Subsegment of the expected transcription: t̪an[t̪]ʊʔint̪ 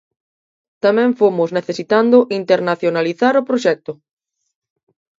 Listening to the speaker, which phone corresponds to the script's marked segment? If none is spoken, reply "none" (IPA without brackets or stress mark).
d̪